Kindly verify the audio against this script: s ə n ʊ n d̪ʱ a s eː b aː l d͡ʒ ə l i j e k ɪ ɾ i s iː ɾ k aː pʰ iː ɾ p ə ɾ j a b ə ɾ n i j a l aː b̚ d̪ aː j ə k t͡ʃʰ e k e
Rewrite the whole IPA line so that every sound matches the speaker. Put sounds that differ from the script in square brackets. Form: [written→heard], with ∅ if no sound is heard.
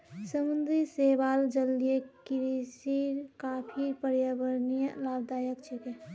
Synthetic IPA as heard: s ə [n→m] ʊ n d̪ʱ [a→i] s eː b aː l d͡ʒ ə l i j e k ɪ ɾ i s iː ɾ k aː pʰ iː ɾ p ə ɾ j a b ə ɾ n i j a l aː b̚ d̪ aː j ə k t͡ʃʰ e k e